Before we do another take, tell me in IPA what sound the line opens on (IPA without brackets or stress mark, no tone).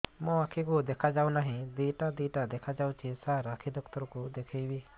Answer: m